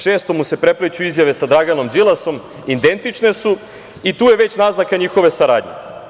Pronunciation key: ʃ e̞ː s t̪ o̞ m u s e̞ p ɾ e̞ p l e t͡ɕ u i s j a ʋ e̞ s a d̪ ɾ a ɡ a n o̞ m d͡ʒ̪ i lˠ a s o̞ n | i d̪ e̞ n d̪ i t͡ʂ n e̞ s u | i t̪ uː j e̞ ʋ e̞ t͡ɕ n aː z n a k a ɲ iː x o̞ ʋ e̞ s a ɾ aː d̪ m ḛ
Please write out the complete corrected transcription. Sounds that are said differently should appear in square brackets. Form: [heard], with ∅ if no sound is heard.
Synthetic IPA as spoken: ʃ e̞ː s t̪ o̞ m u s e̞ p ɾ e̞ p l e t͡ɕ u i [z] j a ʋ e̞ s a d̪ ɾ a ɡ a n o̞ m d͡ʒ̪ i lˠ a s o̞ [m] | i d̪ e̞ n [t̪] i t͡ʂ n e̞ s u | i t̪ uː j e̞ ʋ e̞ t͡ɕ n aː z n a k a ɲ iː x o̞ ʋ e̞ s a ɾ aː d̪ [ɲ] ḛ

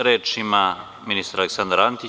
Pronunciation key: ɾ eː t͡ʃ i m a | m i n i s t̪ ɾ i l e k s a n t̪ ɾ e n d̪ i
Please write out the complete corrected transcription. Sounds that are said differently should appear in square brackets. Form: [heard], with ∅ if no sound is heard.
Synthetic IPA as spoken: ɾ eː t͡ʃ i m a | m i n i s t̪ ɾ [a] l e k s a n [d̪] ɾ [a] n [t̪] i

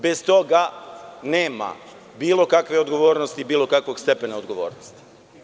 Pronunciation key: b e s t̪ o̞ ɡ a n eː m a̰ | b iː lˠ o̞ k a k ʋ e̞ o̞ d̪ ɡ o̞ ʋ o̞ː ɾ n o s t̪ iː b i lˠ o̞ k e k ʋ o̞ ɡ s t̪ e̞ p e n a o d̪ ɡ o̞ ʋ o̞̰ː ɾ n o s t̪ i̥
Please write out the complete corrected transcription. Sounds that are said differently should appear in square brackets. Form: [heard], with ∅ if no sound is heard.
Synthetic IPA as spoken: b e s t̪ o̞ ɡ a n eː m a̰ | b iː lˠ o̞ k a k ʋ e̞ o̞ d̪ ɡ o̞ ʋ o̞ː ɾ n o s t̪ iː b [iː] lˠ o̞ k [a] k ʋ o̞ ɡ s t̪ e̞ p e n a o d̪ ɡ o̞ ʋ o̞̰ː ɾ n o s t̪ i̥

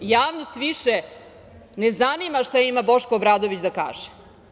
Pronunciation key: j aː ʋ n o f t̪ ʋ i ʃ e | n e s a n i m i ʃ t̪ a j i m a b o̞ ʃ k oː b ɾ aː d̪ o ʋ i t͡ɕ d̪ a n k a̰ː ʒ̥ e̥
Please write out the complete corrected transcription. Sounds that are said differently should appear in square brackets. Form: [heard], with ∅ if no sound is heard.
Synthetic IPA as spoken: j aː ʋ n o [s] t̪ ʋ i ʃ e | n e [z] a n i m [a] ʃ t̪ a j i m a b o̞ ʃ k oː b ɾ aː d̪ o ʋ i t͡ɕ d̪ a [∅] k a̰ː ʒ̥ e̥

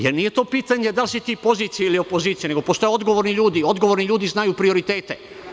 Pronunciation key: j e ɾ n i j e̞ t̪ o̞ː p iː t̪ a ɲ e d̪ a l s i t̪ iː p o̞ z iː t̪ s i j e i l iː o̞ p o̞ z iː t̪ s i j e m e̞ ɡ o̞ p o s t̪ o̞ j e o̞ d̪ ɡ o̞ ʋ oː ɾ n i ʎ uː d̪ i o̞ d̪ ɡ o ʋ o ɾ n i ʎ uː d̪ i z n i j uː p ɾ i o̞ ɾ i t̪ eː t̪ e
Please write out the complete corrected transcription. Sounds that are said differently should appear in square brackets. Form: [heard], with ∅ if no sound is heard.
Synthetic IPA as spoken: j e ɾ n i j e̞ t̪ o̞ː p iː t̪ a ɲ e d̪ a l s i t̪ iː p o̞ z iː t̪ s i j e i l [i] o̞ p o̞ z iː t̪ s i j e [n] e̞ ɡ o̞ p o s t̪ o̞ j e o̞ d̪ ɡ o̞ ʋ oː ɾ n i ʎ uː d̪ i o̞ d̪ ɡ o ʋ o ɾ n i ʎ uː d̪ i z n [a] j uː p ɾ i o̞ ɾ i t̪ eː t̪ e

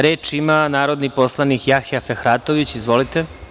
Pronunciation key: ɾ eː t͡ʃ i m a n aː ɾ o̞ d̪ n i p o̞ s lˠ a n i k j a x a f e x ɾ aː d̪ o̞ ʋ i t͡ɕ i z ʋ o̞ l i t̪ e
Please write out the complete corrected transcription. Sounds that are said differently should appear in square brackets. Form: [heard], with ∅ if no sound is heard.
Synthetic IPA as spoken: ɾ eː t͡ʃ i m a n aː ɾ o̞ d̪ n i p o̞ s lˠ a n i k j a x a f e x ɾ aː [t̪] o̞ ʋ i t͡ɕ i z ʋ o̞ l i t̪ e

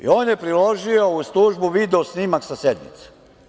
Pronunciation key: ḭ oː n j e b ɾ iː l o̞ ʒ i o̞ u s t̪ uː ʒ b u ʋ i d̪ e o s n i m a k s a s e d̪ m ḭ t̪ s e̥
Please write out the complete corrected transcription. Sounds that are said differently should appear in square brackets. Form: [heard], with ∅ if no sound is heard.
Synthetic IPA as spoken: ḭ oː n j e [p] ɾ [i] l o̞ ʒ i o̞ u s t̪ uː ʒ b u ʋ i d̪ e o s n i m a k s a s e d̪ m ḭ t̪ s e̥

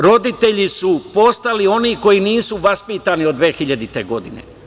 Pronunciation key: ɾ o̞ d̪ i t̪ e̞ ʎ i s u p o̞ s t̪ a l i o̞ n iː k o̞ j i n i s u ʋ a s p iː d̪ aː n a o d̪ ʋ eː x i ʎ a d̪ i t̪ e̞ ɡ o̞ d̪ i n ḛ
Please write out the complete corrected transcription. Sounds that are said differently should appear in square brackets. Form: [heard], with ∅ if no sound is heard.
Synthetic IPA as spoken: ɾ o̞ d̪ i t̪ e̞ ʎ i s u p o̞ s t̪ a l i o̞ n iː k o̞ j i n [iː] s u ʋ a s p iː [t̪] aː n [i] o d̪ ʋ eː x i ʎ a d̪ i t̪ e̞ ɡ o̞ d̪ i n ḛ

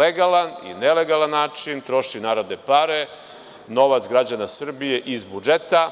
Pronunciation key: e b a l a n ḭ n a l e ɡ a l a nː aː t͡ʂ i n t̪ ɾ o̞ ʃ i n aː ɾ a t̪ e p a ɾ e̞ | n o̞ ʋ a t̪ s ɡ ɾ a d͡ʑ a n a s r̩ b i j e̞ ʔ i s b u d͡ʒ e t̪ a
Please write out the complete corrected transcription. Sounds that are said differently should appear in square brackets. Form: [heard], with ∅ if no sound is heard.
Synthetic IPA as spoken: e [ɡ] a l a n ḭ n [e] l e ɡ a l a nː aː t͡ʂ i n t̪ ɾ o̞ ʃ i n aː ɾ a [d̪] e p a ɾ e̞ | n o̞ ʋ a t̪ s ɡ ɾ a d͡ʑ a n a s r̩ b i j e̞ ʔ i [z] b u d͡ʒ e t̪ a

